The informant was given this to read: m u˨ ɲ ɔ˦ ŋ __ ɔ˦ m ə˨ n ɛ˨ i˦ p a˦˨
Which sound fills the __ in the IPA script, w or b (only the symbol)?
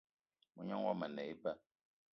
w